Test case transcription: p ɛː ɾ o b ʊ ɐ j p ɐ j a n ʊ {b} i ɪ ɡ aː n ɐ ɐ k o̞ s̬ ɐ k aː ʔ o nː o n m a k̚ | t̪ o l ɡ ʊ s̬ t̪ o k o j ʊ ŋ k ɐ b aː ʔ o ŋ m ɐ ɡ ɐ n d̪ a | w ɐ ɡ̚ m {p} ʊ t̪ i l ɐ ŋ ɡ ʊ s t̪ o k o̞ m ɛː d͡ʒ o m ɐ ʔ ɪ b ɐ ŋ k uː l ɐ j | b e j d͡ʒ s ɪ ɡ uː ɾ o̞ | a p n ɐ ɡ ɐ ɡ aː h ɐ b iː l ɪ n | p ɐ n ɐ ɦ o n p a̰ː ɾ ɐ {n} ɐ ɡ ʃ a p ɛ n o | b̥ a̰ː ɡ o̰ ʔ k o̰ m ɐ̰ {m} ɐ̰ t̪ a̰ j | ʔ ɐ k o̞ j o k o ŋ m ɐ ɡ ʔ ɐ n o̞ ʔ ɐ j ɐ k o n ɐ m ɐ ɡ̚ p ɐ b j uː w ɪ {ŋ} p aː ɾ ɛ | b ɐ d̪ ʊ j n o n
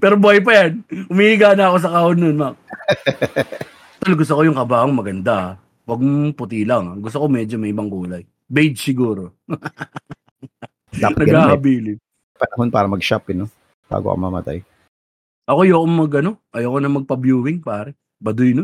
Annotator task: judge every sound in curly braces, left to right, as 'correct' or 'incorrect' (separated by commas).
incorrect, correct, incorrect, correct, correct